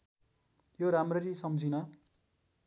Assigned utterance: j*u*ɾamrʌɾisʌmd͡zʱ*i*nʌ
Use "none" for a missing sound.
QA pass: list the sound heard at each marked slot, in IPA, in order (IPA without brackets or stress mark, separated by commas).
o, i